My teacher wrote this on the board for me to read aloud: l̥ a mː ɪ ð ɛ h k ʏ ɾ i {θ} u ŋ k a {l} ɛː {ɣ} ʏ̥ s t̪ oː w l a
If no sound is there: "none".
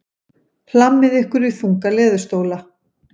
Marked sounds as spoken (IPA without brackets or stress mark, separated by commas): θ, l, ð